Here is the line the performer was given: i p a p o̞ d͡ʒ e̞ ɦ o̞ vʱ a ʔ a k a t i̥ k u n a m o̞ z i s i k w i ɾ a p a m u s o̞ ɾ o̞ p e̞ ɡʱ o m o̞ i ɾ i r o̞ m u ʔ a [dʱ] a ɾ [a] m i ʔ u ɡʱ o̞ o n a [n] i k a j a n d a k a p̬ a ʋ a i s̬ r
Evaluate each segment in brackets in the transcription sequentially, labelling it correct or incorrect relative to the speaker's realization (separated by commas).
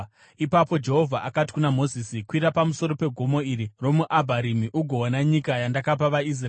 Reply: incorrect, incorrect, incorrect